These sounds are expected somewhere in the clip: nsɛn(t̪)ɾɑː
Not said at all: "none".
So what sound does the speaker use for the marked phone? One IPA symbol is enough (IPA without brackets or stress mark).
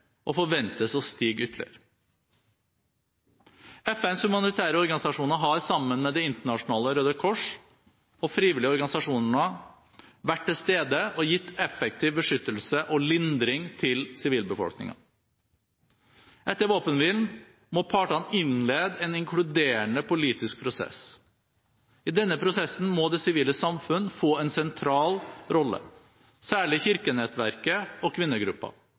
t̪ʰ